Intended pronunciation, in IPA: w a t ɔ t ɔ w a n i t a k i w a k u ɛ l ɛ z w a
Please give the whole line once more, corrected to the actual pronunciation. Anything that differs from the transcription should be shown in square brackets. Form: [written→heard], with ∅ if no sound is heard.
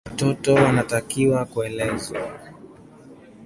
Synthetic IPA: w a t ɔ t ɔ w a n [i→a] t a k i w a k u ɛ l ɛ z w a